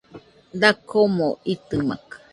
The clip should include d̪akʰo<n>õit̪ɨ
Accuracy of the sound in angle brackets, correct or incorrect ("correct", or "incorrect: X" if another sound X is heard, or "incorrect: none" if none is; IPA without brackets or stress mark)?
incorrect: m